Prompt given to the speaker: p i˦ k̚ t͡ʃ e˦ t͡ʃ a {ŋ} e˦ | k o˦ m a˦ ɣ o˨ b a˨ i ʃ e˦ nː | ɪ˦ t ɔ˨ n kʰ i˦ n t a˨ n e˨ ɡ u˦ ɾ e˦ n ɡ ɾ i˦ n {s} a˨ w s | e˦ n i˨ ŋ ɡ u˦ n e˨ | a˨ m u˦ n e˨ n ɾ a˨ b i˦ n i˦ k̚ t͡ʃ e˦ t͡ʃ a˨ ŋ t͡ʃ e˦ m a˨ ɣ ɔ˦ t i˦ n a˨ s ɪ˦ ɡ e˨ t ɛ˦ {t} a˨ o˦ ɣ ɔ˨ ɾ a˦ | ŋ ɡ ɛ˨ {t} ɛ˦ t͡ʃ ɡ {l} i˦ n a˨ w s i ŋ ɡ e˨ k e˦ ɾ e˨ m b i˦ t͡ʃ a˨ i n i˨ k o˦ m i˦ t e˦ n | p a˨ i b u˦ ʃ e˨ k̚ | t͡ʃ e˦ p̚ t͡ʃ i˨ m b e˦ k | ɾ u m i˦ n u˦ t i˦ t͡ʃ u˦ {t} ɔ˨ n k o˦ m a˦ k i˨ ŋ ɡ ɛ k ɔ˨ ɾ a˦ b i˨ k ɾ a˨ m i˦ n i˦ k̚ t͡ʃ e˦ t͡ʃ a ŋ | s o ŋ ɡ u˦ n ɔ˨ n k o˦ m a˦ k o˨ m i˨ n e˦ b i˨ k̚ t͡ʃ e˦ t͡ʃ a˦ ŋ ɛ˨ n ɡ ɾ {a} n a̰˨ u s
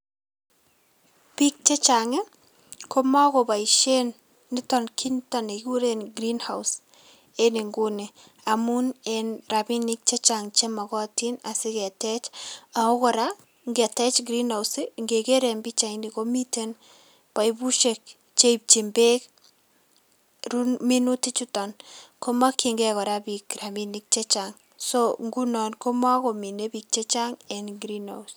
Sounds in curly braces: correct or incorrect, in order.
correct, incorrect: h, incorrect: t͡ʃ, correct, incorrect: ɾ, correct, incorrect: i

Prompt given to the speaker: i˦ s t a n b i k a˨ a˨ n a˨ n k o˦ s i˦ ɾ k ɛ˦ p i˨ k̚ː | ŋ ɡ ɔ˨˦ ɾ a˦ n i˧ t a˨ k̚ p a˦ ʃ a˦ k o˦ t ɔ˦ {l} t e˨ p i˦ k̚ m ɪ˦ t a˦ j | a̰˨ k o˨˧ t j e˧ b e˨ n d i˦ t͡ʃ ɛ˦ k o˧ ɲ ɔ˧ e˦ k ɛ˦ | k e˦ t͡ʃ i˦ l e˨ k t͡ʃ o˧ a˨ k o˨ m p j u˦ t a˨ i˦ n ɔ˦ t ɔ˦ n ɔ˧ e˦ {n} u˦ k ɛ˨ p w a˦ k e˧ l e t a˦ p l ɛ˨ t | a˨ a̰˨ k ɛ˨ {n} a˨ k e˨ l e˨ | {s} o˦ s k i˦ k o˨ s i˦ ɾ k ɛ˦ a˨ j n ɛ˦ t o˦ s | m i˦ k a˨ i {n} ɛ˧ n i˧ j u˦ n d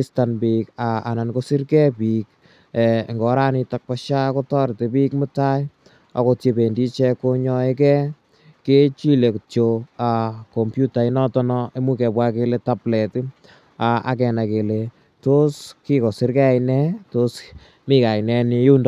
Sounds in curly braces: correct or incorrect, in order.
incorrect: ɾ, incorrect: m, correct, incorrect: t, correct

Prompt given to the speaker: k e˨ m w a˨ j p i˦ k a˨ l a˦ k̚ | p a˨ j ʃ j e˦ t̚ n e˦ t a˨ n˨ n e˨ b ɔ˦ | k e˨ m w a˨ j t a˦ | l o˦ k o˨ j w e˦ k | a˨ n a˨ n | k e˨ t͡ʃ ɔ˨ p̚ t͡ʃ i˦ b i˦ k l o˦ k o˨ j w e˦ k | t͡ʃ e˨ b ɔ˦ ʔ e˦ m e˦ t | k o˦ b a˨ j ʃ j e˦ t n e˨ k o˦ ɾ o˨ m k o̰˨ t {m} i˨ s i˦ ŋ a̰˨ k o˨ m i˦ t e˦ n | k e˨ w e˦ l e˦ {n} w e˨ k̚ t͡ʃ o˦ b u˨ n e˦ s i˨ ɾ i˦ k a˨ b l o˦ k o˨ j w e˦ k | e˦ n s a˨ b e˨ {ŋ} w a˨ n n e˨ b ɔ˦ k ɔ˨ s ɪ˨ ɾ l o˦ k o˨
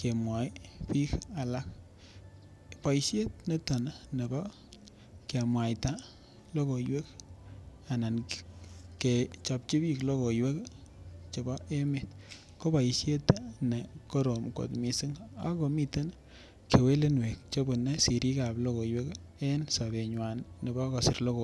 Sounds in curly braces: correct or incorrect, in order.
correct, correct, incorrect: ɲ

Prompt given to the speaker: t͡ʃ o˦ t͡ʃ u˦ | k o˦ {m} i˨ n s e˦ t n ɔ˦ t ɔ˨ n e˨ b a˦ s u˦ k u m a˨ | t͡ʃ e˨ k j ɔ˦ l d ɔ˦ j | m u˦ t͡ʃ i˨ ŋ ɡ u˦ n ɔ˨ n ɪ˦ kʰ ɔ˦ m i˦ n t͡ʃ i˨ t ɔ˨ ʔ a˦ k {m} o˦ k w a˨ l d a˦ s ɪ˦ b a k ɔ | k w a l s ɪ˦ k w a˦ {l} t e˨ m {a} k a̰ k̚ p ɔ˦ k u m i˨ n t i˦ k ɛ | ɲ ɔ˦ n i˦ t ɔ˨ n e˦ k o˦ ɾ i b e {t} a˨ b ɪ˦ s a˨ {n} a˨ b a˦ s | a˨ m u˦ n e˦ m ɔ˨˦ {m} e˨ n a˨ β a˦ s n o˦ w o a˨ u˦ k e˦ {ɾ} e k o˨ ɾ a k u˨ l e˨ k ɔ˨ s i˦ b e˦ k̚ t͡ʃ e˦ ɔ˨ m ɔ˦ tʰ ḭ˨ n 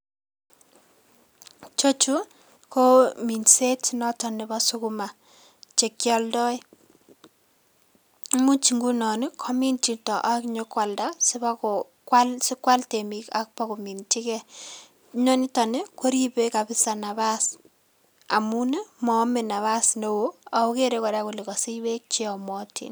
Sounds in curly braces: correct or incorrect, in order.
correct, incorrect: ɲ, correct, incorrect: i, incorrect: k, correct, correct, correct

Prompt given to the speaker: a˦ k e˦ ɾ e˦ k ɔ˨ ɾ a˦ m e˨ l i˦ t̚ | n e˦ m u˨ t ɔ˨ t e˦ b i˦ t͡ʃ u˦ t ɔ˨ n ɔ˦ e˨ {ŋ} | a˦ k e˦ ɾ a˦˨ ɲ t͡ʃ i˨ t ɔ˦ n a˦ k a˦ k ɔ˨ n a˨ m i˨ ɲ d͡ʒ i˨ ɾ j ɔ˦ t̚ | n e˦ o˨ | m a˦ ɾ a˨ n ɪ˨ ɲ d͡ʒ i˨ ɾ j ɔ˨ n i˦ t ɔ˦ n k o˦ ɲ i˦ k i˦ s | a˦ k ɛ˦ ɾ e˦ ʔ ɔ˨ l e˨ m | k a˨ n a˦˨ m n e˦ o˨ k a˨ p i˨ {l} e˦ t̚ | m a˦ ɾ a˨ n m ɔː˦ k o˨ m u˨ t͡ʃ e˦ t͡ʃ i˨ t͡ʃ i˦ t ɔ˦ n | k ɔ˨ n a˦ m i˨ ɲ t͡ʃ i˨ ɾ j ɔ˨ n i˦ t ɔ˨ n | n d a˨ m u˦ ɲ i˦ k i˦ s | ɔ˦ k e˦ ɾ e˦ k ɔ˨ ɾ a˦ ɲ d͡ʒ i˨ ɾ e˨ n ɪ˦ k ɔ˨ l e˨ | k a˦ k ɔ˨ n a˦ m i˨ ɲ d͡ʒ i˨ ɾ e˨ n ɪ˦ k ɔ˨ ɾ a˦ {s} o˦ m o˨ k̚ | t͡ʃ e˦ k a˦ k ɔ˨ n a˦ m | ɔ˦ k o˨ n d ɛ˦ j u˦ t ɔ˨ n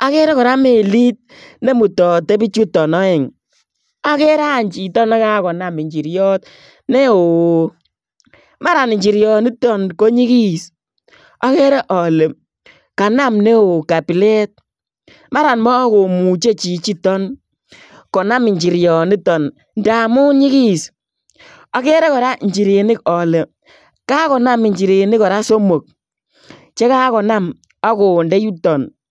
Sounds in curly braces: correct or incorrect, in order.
correct, correct, correct

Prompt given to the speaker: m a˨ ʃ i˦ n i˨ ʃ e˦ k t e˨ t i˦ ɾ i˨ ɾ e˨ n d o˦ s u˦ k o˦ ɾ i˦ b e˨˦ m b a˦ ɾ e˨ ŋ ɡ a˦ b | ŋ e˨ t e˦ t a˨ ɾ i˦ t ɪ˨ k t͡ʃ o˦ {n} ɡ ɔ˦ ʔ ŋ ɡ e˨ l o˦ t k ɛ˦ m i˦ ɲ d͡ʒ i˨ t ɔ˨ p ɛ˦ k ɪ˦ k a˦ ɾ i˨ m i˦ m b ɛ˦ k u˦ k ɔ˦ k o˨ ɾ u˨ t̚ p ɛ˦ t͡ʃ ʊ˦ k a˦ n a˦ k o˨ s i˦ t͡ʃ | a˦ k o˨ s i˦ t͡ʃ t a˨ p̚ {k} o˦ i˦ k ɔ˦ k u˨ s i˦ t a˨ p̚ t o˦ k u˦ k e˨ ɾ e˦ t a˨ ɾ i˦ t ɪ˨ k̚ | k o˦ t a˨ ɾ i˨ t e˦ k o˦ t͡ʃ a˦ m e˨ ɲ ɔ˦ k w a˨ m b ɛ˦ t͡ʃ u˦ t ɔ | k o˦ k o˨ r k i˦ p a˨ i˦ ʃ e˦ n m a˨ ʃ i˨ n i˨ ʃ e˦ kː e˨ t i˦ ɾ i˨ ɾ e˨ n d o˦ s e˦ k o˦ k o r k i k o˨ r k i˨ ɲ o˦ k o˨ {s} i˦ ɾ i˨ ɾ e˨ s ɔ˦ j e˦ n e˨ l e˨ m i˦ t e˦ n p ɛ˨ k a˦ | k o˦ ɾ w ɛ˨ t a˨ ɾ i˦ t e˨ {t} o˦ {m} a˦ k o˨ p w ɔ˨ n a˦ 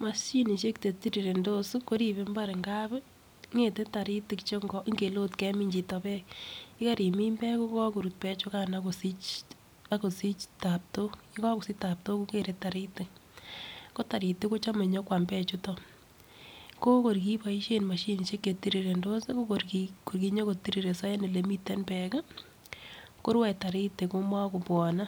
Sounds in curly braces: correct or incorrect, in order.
incorrect: ŋ, incorrect: t, incorrect: t, incorrect: k, correct

